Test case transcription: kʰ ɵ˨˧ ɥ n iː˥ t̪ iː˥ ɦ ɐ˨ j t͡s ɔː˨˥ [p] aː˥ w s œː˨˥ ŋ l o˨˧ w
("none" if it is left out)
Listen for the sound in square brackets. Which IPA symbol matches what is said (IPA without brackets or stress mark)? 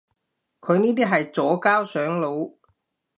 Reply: k